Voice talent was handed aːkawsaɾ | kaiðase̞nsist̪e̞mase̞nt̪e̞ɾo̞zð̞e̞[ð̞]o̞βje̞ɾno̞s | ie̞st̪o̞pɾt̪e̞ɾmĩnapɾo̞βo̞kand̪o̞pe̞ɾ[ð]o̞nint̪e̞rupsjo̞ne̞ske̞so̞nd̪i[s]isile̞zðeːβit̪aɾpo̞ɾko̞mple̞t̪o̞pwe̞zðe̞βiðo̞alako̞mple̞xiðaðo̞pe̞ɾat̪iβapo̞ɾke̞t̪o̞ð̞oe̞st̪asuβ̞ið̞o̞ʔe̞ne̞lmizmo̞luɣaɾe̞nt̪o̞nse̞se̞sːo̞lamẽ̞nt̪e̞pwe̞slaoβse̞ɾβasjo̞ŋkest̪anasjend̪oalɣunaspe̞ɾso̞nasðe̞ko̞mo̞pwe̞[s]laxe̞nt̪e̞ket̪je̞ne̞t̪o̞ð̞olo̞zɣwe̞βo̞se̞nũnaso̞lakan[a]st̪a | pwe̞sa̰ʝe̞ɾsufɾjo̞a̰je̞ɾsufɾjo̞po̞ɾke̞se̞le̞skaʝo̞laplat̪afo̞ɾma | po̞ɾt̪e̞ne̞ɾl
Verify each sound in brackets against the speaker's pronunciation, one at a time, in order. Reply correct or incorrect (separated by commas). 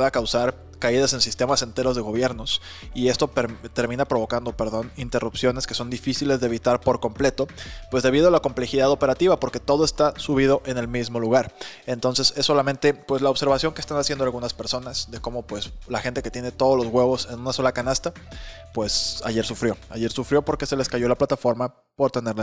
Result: incorrect, correct, incorrect, correct, correct